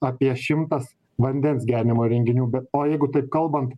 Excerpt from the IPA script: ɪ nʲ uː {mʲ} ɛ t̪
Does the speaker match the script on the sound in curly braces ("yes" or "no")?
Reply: no